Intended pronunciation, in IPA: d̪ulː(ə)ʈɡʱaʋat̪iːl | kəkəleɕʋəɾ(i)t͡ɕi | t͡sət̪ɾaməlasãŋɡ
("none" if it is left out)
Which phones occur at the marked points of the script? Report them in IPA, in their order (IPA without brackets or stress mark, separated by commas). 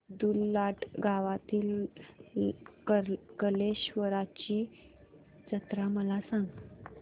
a, a